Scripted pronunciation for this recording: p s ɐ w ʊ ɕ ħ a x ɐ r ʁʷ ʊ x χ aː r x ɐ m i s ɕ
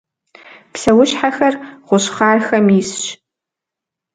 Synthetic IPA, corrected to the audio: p s ɐ w ʊ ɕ ħ a x ɐ r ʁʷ ʊ ɕ χ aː r x ɐ m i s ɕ